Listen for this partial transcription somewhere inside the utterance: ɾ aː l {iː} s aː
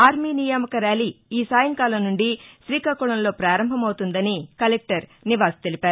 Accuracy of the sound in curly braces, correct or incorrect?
correct